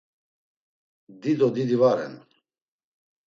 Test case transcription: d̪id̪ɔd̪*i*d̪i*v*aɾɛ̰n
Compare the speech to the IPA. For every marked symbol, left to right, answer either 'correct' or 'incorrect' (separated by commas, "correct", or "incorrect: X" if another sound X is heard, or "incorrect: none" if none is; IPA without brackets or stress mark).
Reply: correct, correct